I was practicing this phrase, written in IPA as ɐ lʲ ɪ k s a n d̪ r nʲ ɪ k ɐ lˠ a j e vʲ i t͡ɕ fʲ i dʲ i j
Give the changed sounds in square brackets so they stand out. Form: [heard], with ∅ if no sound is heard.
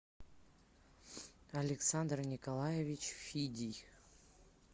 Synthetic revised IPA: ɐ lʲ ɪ k s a n d̪ r nʲ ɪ k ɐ lˠ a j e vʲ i t͡ɕ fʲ i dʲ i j